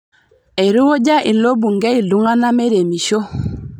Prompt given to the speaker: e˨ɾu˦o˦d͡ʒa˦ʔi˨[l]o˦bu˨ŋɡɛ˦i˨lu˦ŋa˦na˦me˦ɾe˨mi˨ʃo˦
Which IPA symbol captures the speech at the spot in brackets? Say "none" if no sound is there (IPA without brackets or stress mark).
l